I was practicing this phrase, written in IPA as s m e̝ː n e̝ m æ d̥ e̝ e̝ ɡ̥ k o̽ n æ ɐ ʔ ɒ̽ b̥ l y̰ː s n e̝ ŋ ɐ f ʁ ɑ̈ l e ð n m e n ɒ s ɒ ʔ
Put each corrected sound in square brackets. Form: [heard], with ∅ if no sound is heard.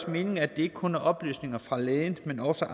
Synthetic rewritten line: s m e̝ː n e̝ [ŋ] æ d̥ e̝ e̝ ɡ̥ [kʰ] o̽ n æ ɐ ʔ ɒ̽ b̥ l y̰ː s n e̝ ŋ ɐ f ʁ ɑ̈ l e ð n m e n ɒ s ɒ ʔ